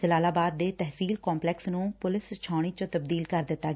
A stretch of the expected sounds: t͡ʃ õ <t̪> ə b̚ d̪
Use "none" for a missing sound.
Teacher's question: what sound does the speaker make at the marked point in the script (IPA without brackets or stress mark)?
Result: t̪